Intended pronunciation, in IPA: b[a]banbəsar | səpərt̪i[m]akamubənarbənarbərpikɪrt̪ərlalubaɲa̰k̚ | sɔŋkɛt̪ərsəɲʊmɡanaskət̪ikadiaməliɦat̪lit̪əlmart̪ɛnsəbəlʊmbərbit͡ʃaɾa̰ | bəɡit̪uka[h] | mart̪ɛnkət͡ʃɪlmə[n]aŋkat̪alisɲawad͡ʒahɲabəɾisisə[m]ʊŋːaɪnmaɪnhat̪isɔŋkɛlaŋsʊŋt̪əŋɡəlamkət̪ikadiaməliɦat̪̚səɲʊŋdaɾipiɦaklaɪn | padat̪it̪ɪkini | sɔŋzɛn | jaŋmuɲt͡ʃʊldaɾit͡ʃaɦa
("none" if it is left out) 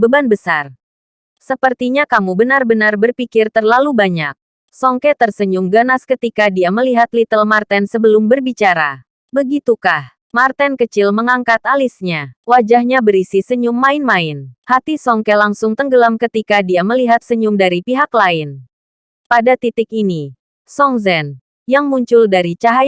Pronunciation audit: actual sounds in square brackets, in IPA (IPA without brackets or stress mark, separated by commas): ə, ɲ, h, ŋ, ɲ